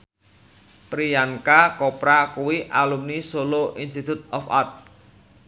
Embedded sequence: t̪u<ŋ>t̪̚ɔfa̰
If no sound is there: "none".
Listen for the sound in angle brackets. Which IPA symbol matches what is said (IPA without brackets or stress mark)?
none